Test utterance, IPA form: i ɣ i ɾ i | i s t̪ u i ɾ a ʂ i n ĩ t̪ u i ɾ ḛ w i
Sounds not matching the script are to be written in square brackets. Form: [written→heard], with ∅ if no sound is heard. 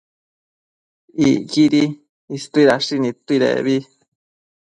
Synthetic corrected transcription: i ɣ i ɾ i | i s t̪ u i ɾ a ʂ i n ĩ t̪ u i ɾ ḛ [w→β] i